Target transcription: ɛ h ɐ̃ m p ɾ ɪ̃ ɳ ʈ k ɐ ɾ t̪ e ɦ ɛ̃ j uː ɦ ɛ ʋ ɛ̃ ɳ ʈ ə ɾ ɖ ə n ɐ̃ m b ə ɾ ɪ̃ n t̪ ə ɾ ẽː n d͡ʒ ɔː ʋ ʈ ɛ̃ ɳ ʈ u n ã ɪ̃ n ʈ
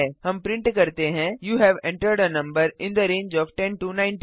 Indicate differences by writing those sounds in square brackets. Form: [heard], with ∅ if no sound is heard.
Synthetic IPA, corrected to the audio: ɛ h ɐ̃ m p ɾ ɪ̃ ɳ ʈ k ɐ ɾ t̪ e ɦ ɛ̃ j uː ɦ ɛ ʋ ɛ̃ ɳ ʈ ə ɾ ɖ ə n ɐ̃ m b ə ɾ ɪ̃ n [d̪] ə ɾ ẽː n d͡ʒ ɔː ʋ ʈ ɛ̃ [n] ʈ u n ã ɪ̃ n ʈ